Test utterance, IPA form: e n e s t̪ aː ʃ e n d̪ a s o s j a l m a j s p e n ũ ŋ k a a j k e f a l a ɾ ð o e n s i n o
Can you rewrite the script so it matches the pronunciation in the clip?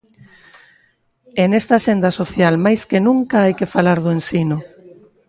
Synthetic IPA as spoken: e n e s t̪ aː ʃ e n d̪ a s o θ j a l m a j s k e n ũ ŋ k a a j k e f a l a ɾ ð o e n s i n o